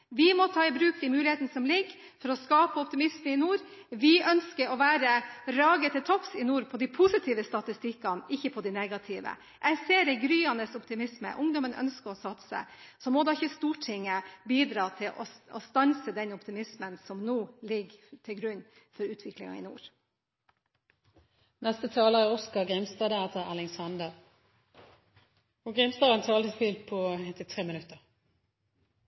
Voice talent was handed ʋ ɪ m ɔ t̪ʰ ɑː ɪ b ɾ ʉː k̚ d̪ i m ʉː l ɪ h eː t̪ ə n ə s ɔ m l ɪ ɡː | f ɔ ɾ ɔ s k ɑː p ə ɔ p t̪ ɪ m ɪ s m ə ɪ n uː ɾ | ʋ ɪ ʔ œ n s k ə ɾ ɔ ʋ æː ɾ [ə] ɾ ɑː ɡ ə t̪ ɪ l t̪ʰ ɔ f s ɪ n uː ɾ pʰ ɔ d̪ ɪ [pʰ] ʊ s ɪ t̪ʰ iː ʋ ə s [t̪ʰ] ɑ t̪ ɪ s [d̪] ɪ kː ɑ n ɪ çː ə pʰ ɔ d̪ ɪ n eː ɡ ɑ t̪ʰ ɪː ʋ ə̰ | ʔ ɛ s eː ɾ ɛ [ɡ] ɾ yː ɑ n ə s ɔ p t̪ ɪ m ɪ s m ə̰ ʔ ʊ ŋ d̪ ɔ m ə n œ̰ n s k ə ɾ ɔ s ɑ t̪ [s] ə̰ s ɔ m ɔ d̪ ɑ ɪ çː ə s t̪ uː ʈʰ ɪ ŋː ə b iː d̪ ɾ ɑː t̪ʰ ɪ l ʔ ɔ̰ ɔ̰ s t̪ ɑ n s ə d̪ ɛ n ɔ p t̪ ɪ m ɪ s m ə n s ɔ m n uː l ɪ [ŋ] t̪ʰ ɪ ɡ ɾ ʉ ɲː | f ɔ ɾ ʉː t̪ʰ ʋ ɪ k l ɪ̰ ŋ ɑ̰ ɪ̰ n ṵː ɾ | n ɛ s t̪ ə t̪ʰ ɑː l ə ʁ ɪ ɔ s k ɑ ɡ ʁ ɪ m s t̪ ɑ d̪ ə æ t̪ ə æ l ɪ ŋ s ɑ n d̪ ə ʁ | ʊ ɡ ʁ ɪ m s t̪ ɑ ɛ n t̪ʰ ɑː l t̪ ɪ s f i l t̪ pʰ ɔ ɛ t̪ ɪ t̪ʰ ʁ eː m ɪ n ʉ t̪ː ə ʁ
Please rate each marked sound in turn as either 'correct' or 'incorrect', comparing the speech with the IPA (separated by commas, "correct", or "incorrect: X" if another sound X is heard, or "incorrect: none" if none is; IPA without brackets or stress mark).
correct, correct, incorrect: t̪, incorrect: t̪, correct, correct, incorrect: ɡ